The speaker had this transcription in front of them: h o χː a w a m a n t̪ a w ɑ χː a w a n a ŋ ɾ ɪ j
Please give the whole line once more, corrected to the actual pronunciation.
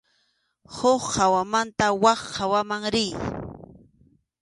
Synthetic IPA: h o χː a w a m a n t̪ a w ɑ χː a w a m a ŋ ɾ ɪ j